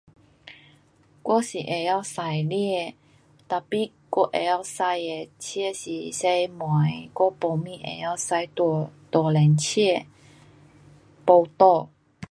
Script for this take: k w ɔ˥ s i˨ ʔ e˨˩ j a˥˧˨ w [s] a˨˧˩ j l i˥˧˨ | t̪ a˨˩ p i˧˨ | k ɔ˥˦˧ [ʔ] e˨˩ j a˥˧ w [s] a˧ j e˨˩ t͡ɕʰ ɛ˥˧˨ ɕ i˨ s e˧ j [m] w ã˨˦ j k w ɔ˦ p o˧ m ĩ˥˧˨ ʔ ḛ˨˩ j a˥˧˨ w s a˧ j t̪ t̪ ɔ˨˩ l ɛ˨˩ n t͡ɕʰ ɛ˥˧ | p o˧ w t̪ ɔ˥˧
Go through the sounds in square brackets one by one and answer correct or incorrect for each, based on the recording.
correct, correct, correct, correct

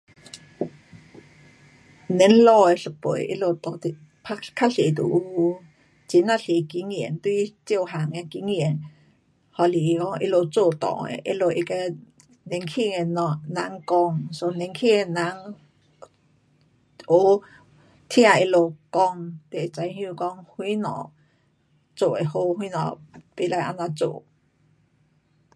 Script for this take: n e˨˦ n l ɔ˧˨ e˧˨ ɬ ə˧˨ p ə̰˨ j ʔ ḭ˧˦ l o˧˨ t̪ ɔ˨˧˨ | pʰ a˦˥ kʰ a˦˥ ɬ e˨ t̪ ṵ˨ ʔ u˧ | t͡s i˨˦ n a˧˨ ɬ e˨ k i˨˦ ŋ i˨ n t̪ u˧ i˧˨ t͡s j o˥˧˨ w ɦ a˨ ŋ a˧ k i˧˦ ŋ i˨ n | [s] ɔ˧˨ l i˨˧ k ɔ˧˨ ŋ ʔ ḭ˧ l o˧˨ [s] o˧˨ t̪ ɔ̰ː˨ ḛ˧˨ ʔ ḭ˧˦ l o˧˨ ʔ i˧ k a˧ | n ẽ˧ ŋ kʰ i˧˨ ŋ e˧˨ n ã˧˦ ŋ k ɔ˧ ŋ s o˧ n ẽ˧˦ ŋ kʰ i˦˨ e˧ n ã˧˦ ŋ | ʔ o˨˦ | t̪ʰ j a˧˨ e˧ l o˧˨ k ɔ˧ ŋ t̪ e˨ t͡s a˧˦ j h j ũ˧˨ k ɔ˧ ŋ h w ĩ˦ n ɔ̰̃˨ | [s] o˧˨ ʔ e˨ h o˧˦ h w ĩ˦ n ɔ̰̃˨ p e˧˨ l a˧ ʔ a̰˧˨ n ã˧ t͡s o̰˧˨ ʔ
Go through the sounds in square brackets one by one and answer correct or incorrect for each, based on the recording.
incorrect, incorrect, incorrect

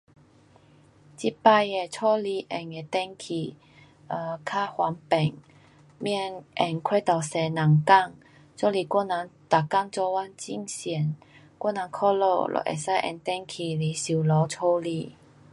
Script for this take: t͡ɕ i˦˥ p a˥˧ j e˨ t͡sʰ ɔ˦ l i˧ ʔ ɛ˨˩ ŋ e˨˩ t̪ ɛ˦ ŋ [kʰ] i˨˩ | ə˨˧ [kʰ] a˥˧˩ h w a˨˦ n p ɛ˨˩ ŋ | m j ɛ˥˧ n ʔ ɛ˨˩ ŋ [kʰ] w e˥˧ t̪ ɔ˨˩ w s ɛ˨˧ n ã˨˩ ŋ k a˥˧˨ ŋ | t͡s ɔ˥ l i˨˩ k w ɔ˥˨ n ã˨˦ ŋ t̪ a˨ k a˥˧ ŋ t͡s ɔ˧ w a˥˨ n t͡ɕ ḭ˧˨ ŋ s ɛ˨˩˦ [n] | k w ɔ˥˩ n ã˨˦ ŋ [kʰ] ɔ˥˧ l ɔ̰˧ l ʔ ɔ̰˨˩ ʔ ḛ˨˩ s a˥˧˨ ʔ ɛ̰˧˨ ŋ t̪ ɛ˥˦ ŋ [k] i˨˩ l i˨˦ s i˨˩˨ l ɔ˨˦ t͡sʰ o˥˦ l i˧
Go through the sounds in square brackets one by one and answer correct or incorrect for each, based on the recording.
correct, correct, correct, correct, correct, incorrect

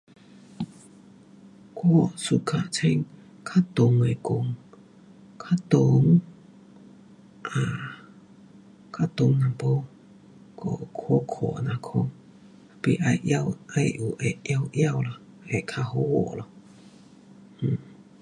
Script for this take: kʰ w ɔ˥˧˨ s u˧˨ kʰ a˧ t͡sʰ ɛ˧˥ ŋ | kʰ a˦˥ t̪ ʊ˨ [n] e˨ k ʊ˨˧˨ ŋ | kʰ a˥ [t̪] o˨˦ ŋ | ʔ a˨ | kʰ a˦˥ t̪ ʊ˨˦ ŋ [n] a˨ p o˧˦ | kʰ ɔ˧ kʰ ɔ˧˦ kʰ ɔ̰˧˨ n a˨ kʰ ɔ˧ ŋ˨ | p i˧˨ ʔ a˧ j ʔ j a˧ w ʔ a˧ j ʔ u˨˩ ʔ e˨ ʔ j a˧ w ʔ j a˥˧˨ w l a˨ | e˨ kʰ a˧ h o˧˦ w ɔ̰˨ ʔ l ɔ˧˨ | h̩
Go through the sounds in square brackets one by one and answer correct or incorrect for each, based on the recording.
incorrect, correct, correct

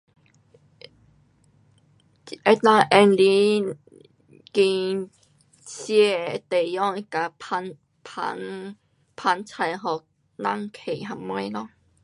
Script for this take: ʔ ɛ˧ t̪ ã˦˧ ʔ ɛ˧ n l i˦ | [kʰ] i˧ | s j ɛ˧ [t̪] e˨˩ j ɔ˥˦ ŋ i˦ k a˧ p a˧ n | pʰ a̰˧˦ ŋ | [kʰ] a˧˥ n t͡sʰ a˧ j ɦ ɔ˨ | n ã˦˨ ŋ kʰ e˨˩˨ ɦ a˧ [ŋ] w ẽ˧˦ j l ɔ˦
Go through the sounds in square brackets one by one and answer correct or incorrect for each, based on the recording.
incorrect, correct, incorrect, incorrect

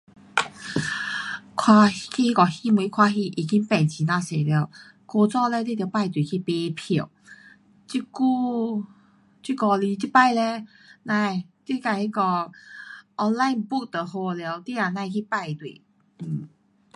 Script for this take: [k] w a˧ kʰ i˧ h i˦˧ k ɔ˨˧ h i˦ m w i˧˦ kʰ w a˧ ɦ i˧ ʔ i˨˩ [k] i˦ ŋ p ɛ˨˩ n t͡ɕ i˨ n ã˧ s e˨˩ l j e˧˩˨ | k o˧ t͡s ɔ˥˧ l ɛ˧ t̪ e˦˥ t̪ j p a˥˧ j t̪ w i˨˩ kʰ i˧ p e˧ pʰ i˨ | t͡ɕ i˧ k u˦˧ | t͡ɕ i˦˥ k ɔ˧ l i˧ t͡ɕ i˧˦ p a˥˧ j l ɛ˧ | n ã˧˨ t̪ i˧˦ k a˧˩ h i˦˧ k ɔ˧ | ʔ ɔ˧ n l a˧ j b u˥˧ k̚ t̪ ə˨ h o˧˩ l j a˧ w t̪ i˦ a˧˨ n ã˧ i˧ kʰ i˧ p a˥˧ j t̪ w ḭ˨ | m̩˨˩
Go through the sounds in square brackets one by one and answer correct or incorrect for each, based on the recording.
incorrect, correct

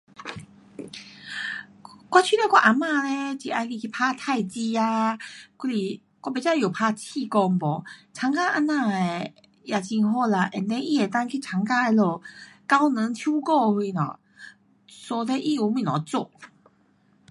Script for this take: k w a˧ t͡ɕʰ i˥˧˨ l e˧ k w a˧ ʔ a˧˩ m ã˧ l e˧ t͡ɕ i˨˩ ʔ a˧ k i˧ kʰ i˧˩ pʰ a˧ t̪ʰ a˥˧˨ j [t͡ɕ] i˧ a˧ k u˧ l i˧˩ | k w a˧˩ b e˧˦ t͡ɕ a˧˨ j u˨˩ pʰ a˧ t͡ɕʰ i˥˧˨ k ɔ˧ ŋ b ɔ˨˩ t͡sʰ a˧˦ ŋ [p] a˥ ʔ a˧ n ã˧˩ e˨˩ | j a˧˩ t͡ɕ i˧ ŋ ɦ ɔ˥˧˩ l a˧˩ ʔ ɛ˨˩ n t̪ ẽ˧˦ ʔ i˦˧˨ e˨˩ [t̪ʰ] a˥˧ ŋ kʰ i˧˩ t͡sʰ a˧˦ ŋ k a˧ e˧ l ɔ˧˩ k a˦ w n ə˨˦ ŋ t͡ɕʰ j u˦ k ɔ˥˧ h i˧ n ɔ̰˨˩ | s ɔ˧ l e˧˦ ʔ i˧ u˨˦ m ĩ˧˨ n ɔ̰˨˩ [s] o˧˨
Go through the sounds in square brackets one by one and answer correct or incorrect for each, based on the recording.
correct, incorrect, incorrect, incorrect

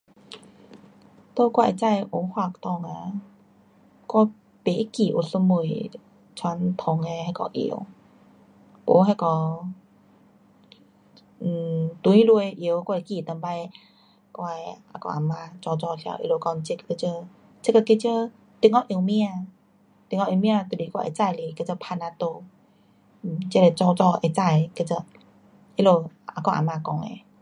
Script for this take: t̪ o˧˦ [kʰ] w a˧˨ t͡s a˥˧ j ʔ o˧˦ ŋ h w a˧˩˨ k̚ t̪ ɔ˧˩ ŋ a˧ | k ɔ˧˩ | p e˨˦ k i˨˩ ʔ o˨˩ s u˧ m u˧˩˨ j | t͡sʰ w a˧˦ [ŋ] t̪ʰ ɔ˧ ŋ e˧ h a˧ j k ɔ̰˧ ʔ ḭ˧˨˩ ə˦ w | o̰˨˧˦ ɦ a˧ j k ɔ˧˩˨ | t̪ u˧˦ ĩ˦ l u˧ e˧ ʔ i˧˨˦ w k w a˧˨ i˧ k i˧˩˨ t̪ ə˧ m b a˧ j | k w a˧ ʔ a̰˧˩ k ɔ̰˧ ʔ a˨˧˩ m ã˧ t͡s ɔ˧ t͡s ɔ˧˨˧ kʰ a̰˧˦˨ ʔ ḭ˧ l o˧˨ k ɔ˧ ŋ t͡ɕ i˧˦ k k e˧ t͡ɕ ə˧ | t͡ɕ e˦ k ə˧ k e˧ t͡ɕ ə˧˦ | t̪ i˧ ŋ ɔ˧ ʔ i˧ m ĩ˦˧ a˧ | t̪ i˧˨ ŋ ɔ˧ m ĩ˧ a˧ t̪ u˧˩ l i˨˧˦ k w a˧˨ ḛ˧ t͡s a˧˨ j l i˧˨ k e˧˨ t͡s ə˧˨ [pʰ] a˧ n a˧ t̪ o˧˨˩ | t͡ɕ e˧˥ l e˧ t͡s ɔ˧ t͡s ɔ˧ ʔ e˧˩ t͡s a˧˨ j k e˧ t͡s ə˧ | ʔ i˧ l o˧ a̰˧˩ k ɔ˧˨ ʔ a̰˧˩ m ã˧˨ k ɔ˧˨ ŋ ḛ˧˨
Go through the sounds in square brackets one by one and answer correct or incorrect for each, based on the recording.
incorrect, incorrect, correct

